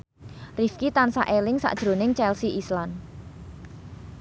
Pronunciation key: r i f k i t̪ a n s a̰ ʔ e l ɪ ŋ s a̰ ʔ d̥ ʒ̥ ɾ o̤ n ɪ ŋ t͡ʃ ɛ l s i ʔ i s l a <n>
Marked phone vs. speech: correct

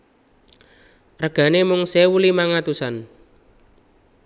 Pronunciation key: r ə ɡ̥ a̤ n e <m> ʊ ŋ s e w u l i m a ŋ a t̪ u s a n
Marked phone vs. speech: correct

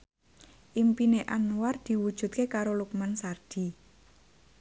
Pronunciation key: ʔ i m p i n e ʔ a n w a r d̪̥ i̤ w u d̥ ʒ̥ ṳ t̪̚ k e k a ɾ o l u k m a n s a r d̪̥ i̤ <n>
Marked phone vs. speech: incorrect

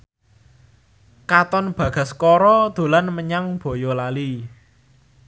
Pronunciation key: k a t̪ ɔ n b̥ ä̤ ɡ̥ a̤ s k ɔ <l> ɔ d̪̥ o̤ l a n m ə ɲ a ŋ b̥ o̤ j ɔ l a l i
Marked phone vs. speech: incorrect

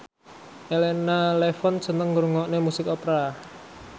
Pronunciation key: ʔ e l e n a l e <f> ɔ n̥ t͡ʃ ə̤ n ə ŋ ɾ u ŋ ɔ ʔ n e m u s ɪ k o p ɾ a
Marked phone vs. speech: correct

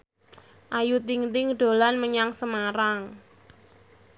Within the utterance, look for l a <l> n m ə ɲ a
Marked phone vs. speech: incorrect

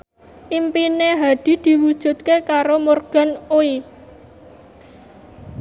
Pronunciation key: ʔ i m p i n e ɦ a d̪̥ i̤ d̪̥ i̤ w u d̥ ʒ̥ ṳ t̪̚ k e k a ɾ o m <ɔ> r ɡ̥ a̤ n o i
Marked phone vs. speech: incorrect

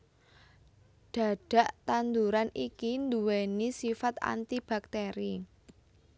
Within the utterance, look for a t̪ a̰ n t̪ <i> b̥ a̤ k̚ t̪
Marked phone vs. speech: correct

